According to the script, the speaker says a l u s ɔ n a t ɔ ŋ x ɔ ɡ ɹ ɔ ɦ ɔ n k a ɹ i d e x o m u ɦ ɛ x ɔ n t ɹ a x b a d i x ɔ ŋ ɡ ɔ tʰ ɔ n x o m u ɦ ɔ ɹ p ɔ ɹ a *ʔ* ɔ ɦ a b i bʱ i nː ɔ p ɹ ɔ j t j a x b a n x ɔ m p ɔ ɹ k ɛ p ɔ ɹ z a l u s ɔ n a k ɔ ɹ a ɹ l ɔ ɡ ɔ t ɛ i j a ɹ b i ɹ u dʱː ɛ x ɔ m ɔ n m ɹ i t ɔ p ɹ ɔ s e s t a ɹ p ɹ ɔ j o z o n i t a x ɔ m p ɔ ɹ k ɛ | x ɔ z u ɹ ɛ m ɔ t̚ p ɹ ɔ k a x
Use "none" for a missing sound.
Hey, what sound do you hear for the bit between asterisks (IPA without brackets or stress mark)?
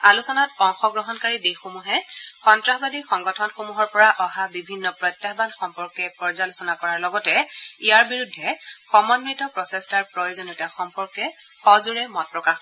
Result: ʔ